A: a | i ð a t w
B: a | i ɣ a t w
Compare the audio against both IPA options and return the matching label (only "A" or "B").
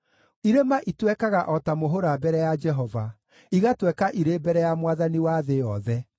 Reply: B